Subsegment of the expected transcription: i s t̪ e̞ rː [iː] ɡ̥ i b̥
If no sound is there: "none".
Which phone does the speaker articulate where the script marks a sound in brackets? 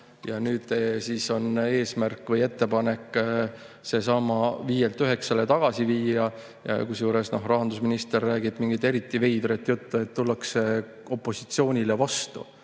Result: æː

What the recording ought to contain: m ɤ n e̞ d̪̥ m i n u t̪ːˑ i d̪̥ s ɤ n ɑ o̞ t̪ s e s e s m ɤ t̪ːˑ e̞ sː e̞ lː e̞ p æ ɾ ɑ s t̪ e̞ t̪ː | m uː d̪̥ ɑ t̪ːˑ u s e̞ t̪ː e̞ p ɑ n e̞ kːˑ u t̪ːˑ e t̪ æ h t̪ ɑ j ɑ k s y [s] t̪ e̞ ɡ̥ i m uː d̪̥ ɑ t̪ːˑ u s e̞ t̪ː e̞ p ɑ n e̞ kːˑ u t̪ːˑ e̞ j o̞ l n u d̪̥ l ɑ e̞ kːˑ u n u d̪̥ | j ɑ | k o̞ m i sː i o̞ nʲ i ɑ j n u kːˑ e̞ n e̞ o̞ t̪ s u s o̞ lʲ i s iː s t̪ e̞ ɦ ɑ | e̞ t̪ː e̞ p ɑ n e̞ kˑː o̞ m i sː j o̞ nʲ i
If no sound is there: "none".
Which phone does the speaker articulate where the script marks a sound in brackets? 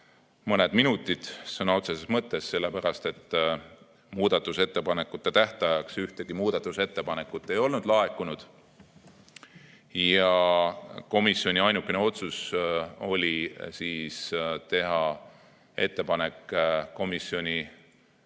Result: h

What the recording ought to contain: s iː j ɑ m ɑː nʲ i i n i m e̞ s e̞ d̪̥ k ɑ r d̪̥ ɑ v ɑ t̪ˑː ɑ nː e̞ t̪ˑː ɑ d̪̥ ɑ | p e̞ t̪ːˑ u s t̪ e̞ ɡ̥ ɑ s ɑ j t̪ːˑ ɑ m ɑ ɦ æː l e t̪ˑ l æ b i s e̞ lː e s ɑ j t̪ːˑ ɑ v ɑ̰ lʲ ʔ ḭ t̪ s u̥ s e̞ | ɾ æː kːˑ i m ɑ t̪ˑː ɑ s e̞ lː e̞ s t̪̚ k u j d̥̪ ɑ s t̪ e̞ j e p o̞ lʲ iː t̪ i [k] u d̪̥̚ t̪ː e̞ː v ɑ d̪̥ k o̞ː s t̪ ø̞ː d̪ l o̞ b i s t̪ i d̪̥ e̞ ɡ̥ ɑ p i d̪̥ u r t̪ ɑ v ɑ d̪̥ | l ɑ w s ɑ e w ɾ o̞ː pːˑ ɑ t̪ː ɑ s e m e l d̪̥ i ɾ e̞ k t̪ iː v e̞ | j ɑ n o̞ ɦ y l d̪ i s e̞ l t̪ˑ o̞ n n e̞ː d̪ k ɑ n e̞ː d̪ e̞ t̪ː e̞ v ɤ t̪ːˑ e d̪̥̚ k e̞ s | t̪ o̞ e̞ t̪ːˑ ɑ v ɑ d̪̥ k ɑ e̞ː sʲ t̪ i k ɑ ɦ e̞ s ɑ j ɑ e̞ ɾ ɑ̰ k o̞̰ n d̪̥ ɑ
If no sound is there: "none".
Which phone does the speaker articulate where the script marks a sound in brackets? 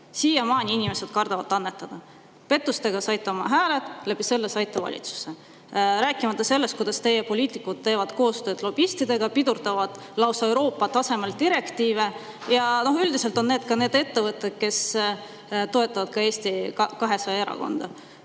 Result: k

